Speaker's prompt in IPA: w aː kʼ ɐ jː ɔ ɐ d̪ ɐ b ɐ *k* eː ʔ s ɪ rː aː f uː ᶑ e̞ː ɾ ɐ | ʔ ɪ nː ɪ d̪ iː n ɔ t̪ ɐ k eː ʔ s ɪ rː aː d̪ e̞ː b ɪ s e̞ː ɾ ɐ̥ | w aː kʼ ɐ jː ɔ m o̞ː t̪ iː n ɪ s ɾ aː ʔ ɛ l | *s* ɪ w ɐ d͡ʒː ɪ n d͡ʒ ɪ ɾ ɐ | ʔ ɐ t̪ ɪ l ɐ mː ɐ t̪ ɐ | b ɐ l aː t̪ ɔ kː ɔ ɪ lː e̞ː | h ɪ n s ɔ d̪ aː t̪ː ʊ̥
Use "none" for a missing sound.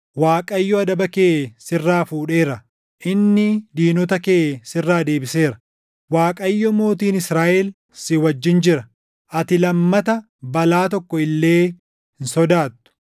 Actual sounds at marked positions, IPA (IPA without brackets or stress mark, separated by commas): k, s